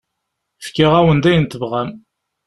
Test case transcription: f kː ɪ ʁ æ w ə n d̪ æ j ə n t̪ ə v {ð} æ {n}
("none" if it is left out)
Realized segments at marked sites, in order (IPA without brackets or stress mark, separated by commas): ʁ, m